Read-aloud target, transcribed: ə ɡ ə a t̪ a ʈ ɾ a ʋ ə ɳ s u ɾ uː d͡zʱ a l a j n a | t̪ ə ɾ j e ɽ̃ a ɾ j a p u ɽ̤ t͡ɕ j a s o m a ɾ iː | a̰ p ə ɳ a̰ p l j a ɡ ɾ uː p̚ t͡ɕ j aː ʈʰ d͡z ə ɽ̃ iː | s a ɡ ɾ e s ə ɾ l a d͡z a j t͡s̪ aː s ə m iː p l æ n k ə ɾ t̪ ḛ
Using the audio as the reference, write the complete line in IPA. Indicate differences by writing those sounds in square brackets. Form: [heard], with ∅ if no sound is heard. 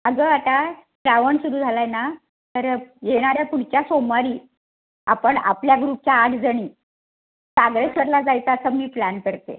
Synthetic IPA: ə ɡ ə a t̪ a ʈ ɾ a ʋ ə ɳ s u ɾ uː d͡zʱ a l a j n a | t̪ ə ɾ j e ɽ̃ a ɾ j a p u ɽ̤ t͡ɕ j a s o m a ɾ iː | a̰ p ə ɳ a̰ p l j a ɡ ɾ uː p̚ t͡ɕ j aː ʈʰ d͡z ə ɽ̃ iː | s a ɡ ɾ e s ə ɾ l a d͡z a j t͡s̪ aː s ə m iː p l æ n k ə ɾ t̪ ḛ